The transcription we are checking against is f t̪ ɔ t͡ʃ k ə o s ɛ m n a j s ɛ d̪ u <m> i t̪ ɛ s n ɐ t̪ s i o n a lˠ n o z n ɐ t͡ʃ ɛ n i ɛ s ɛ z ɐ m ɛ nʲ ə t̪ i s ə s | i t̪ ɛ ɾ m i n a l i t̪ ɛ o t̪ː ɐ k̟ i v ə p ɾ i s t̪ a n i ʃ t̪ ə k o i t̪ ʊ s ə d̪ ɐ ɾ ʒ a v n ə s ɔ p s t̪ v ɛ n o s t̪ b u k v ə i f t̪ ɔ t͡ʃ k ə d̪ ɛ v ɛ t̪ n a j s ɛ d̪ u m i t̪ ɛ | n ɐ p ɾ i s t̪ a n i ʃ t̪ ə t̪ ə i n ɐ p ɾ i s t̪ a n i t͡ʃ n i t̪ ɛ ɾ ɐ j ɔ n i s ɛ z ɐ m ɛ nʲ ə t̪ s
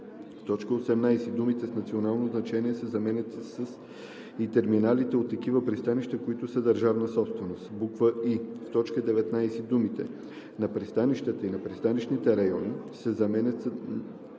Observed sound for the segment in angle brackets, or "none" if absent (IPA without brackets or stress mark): m